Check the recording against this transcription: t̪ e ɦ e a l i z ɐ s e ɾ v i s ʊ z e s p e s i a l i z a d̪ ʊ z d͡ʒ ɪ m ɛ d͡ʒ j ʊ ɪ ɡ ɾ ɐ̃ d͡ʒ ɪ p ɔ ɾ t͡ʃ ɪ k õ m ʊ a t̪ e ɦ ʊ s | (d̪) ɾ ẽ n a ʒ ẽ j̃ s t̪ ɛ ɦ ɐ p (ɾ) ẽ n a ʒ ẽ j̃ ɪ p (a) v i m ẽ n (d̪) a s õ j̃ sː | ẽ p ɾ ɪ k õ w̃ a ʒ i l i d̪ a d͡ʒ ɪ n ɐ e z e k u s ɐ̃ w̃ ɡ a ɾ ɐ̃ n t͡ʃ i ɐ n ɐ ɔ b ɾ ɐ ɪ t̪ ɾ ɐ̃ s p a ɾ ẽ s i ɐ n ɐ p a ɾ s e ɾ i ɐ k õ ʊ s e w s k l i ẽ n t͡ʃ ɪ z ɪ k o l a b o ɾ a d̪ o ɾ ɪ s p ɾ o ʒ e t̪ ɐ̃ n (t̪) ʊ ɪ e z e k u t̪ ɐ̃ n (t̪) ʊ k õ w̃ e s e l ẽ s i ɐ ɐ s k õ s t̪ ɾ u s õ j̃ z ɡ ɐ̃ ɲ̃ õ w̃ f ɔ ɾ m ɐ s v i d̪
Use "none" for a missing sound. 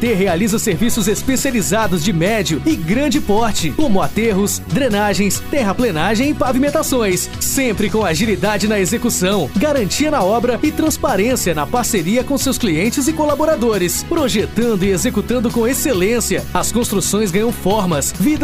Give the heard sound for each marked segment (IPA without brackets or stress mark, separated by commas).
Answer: d̪, l, a, t̪, d̪, d̪